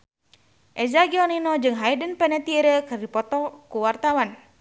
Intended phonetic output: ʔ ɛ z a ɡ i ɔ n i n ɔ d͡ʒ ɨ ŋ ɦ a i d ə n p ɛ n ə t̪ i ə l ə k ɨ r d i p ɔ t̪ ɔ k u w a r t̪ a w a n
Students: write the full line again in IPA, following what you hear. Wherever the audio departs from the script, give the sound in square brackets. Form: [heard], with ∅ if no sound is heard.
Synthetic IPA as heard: ʔ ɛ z a ɡ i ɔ n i n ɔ d͡ʒ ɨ ŋ ɦ a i d ə n p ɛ n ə t̪ i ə [ɾ] ə k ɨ r d i p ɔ t̪ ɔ k u w a r t̪ a w a n